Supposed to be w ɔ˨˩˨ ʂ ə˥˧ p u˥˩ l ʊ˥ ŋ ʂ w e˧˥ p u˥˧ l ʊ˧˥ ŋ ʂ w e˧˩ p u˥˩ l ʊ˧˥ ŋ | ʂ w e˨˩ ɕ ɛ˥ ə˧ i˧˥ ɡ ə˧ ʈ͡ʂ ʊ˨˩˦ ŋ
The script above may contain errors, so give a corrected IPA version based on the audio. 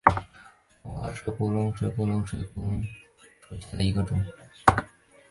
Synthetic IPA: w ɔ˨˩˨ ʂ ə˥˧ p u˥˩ l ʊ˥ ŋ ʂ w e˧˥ p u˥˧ l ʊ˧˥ ŋ ʂ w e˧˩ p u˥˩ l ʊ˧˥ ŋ | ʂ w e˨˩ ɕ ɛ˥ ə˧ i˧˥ ɡ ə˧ ʈ͡ʂ ʊ˥˩ ŋ